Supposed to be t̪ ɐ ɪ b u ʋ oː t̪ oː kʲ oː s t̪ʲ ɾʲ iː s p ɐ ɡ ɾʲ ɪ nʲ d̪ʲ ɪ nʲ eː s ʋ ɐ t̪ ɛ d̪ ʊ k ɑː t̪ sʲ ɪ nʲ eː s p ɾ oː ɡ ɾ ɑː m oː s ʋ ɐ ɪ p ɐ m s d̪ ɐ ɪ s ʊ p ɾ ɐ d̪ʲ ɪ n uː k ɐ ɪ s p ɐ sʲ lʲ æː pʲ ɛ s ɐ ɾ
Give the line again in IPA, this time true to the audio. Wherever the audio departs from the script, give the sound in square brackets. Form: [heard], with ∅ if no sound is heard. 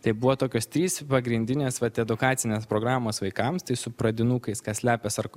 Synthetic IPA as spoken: t̪ ɐ ɪ b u ʋ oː t̪ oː kʲ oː s t̪ʲ ɾʲ iː s p ɐ ɡ ɾʲ ɪ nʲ d̪ʲ ɪ nʲ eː s ʋ ɐ t̪ ɛ d̪ ʊ k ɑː t̪ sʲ ɪ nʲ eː s p ɾ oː ɡ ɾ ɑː m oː s ʋ ɐ ɪ [k] ɐ m s [t̪] ɐ ɪ s ʊ p ɾ ɐ d̪ʲ ɪ n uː k ɐ ɪ s [k] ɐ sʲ lʲ æː pʲ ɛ s ɐ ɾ